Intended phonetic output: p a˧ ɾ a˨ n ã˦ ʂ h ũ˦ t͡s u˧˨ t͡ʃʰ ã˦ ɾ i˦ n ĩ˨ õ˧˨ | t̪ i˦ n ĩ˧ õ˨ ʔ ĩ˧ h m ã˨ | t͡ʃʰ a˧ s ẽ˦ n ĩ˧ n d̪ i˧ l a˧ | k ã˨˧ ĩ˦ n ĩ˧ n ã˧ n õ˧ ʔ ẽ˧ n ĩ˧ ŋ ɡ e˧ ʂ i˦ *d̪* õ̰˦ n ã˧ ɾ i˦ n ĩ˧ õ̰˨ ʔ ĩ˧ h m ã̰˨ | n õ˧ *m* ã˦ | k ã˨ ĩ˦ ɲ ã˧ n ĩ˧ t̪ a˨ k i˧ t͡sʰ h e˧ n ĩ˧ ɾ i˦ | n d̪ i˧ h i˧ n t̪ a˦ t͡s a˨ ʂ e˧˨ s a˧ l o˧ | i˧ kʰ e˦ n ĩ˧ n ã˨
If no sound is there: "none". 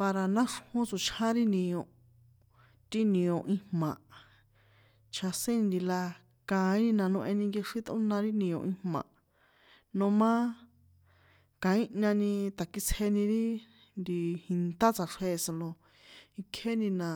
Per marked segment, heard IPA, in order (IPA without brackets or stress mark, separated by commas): t̪, m